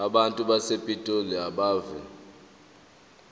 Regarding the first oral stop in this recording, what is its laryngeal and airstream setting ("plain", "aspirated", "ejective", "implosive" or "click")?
implosive